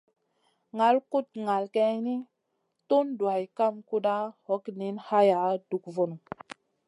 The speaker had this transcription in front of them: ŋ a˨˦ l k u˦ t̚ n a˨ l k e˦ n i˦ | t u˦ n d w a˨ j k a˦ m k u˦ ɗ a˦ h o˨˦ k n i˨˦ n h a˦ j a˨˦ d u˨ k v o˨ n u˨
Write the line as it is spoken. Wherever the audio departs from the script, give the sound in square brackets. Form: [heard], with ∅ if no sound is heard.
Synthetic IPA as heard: ŋ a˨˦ l k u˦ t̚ [ŋ] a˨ l k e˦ n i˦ | t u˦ n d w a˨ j k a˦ m k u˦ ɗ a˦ h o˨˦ k n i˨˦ n h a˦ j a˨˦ d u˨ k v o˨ n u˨